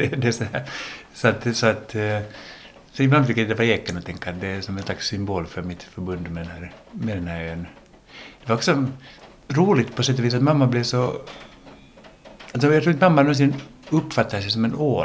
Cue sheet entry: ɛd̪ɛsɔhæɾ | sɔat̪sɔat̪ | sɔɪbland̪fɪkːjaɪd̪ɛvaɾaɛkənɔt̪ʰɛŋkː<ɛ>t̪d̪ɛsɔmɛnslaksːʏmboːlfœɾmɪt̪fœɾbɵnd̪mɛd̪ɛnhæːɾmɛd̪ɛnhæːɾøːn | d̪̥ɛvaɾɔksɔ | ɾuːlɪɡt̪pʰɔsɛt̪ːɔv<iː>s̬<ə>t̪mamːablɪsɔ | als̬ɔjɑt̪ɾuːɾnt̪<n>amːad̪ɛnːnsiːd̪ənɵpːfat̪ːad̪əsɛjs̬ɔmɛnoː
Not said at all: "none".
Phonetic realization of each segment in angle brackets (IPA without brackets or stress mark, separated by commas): a, iː, a, m